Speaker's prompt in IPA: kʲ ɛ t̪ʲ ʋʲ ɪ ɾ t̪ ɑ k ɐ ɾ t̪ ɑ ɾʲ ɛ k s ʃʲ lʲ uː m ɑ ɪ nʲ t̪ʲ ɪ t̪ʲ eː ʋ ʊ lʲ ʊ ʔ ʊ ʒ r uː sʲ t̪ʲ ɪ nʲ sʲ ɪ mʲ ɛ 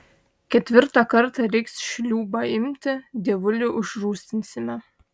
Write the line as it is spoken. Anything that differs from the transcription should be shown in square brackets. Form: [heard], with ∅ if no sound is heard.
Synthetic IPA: kʲ ɛ t̪ʲ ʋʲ ɪ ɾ t̪ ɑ k ɐ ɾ t̪ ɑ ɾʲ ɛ k s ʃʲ lʲ uː [b] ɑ ɪ [mʲ] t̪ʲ ɪ [d̪ʲ] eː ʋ ʊ lʲ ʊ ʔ ʊ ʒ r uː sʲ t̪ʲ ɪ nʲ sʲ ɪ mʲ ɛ